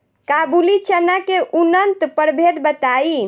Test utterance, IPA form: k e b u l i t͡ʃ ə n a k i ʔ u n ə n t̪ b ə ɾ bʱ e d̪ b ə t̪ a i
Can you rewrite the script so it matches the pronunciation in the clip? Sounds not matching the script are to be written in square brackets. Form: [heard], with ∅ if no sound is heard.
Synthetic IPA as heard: k [a] b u l i t͡ʃ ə n a k [e] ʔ u n ə n t̪ [p] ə ɾ bʱ e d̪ b ə t̪ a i